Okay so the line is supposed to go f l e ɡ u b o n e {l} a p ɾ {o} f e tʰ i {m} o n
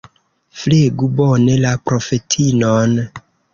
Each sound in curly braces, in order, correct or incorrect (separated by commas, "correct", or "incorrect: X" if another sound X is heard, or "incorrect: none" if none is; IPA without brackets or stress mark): correct, correct, incorrect: n